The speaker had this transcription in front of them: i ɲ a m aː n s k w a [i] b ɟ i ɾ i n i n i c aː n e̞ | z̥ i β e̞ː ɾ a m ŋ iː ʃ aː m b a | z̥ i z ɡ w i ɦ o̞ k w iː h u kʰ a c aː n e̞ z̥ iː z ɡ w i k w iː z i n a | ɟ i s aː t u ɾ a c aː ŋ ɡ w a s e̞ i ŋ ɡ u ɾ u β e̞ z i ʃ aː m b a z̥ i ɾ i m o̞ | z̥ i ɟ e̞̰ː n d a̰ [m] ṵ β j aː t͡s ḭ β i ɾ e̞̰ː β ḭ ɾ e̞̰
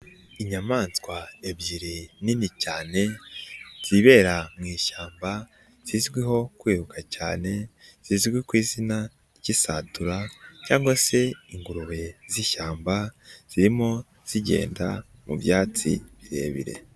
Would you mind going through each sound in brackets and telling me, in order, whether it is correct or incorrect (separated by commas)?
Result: incorrect, correct